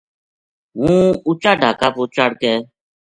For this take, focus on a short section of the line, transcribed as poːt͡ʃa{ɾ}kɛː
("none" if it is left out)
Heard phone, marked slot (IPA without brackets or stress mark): ɽ